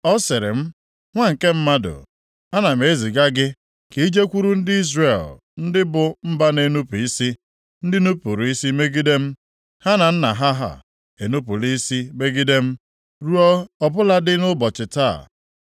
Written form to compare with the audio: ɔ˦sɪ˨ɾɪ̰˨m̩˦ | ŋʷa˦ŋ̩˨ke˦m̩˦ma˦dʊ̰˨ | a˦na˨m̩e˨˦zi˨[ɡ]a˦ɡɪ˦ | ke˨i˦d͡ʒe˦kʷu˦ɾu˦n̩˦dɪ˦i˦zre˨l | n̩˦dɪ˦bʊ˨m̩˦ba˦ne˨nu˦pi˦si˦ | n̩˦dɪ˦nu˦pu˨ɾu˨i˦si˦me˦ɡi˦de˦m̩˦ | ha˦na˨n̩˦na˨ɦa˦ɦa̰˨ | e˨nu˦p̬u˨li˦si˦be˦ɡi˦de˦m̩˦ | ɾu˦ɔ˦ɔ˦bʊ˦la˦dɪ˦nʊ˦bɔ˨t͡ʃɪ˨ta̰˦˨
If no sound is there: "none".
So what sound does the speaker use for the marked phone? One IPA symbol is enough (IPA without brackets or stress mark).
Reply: ɡ